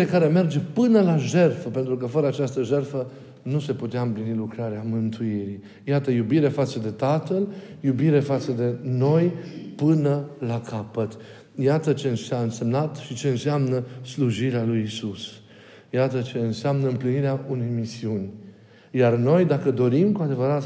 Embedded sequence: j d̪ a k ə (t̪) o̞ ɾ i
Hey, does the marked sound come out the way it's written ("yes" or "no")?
no